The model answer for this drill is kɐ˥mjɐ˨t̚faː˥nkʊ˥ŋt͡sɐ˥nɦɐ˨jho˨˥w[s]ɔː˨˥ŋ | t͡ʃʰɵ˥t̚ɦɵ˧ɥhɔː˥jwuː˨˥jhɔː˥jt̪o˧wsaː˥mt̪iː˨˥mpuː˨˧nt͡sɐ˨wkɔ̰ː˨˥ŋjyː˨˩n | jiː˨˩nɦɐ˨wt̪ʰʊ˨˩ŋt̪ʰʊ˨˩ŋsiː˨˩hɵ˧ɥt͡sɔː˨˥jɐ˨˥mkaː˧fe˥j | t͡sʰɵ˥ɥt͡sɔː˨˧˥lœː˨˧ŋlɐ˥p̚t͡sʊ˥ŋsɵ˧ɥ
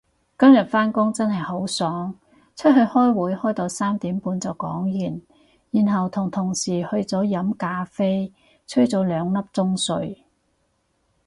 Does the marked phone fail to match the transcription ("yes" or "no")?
no